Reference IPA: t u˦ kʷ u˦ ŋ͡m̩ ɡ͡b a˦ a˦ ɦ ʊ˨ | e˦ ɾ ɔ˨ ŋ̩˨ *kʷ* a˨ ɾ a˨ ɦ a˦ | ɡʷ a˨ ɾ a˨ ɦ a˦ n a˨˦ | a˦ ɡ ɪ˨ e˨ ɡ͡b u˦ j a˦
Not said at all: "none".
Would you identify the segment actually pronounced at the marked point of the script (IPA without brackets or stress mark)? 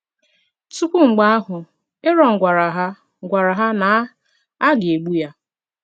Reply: ɡʷ